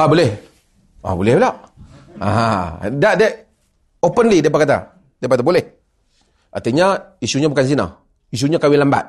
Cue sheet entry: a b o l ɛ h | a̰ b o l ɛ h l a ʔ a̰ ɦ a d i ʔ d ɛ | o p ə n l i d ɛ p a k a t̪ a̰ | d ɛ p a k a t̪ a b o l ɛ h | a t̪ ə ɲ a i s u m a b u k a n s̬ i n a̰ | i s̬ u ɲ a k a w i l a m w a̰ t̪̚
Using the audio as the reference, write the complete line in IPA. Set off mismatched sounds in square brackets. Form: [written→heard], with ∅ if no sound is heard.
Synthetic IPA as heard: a b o l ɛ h | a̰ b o l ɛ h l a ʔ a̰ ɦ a d [i→a] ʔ d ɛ | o p ə n l i d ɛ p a k a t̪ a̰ | d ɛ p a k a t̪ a b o l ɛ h | a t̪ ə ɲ a i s u [m→ɲ] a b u k a n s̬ i n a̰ | i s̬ u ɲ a k a w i l a m [w→b] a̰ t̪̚